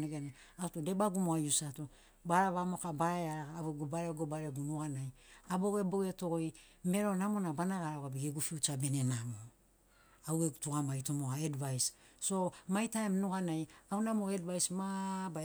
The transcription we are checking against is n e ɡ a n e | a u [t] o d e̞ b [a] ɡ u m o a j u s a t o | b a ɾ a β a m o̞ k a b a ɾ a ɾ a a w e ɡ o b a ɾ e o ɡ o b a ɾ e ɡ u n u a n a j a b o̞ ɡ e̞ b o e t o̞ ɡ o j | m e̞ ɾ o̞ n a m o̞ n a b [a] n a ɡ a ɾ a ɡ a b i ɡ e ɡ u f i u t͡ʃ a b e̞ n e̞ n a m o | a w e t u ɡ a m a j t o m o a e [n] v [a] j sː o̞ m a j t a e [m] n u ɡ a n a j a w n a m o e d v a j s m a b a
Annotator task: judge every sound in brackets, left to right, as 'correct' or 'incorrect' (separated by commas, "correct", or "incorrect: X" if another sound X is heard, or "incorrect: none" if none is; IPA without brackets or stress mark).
correct, correct, correct, incorrect: d, correct, correct